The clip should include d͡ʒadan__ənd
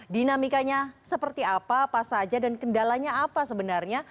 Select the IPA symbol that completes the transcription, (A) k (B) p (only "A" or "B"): A